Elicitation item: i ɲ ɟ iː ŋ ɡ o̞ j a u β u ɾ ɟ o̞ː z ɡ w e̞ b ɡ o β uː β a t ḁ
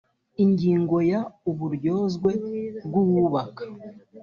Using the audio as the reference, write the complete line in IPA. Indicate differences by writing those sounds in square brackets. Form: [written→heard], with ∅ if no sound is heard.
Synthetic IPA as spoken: i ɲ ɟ iː ŋ ɡ o̞ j a u β u ɾ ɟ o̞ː z ɡ w e̞ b ɡ [o→u] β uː β a [t→k] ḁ